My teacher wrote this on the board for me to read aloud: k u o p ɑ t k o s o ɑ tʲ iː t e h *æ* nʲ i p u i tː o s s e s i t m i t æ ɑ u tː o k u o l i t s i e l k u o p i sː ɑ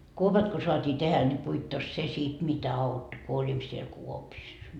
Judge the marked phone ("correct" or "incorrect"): correct